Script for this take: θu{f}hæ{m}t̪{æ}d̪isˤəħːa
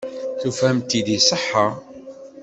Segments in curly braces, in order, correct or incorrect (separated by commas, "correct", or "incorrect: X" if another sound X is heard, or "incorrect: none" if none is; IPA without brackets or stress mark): correct, correct, incorrect: i